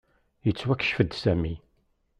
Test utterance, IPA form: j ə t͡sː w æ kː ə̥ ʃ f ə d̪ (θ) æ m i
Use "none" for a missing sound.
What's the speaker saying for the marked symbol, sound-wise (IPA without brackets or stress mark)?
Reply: s